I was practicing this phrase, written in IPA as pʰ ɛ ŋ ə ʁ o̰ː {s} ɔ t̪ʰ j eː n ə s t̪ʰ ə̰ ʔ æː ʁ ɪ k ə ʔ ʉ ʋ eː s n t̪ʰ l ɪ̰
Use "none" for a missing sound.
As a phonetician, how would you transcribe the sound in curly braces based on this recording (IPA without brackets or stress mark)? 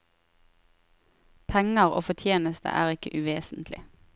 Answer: f